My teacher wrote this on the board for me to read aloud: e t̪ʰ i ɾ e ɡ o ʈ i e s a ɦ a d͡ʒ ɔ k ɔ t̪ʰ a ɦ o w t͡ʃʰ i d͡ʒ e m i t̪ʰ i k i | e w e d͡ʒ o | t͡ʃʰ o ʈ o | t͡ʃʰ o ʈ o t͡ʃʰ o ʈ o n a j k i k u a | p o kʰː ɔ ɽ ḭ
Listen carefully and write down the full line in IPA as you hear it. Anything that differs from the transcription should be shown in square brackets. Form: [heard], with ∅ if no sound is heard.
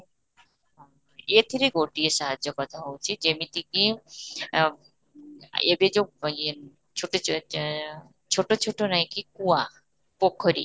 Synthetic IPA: e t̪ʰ i ɾ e ɡ o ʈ i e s a ɦ a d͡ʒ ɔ k ɔ t̪ʰ a ɦ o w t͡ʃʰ i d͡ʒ e m i [t̪] i k i | e [b] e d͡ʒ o | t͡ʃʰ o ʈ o | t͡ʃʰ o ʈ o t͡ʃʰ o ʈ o n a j k i k u a | p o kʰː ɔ [ɾ] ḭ